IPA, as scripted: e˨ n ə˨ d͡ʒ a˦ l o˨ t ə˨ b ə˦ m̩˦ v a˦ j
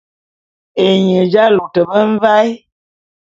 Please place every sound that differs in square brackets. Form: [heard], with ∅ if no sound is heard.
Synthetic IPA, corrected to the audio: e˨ [ɲ] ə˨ d͡ʒ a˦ l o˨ t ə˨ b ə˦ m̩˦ v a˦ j